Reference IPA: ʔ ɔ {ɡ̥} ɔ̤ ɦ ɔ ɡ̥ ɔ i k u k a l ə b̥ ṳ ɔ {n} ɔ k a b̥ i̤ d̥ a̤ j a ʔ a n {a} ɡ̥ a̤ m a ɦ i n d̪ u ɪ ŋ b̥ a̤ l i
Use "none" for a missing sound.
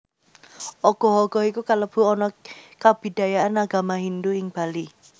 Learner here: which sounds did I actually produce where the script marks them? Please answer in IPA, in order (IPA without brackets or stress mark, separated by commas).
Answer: ɡ̥, n, a